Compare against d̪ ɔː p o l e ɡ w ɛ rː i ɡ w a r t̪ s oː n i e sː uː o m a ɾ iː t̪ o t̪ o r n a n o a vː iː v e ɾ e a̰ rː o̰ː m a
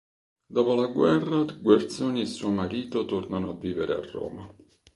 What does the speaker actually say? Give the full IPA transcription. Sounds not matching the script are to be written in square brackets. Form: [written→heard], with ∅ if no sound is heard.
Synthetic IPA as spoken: d̪ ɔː p o l [e→a] ɡ w ɛ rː [i→a] ɡ w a r t̪ s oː n i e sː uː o m a ɾ iː t̪ o t̪ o r n a n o a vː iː v e ɾ e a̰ rː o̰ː m a